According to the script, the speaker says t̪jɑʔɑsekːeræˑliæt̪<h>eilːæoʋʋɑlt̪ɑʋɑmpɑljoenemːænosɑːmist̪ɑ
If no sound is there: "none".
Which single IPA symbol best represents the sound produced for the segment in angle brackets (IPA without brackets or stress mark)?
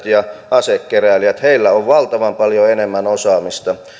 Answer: h